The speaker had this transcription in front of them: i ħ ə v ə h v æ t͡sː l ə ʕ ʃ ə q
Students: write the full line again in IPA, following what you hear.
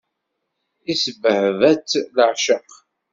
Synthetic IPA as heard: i s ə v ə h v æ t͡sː l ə ʕ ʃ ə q